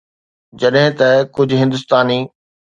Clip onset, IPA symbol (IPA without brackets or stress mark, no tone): d͡ʑ